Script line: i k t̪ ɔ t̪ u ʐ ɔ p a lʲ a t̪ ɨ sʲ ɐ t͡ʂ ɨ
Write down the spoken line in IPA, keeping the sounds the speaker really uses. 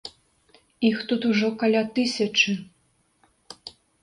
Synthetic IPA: i x t̪ u t̪ u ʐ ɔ k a lʲ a t̪ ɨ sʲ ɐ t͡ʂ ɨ